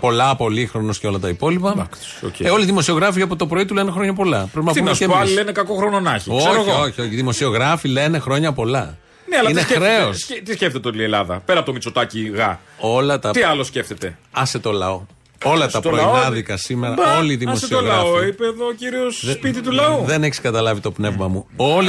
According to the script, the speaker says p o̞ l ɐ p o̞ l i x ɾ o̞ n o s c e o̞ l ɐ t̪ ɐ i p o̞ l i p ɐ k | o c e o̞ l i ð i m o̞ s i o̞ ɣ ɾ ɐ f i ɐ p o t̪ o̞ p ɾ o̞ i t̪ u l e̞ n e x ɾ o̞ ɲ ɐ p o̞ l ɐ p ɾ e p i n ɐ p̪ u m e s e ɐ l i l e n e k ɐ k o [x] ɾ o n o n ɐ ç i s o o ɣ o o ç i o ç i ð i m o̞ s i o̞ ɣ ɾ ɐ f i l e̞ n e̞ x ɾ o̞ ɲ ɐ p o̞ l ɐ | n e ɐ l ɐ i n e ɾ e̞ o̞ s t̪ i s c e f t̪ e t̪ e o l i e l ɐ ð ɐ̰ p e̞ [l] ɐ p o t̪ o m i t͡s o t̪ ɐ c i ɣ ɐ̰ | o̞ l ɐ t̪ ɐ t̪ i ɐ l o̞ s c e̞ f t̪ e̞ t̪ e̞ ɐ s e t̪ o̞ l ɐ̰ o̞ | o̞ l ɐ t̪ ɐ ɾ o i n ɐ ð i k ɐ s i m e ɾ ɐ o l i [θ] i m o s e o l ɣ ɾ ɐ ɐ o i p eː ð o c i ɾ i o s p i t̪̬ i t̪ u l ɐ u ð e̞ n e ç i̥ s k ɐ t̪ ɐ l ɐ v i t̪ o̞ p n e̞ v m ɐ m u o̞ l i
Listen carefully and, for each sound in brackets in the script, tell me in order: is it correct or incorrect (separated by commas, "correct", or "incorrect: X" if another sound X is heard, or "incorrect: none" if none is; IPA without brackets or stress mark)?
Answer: correct, incorrect: ɾ, incorrect: ð